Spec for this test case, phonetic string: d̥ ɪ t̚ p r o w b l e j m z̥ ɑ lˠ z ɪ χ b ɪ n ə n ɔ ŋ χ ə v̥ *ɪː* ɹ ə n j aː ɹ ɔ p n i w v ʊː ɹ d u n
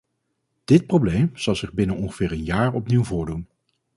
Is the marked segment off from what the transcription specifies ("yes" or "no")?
no